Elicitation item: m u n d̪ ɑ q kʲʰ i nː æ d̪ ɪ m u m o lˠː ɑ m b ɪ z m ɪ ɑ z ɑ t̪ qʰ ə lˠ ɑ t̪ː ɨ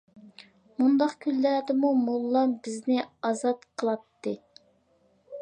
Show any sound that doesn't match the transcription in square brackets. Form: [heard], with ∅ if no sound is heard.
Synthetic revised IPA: m u n d̪ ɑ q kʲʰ [y] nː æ d̪ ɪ m u m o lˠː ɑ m b ɪ z [n] ɪ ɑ z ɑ t̪ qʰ ə lˠ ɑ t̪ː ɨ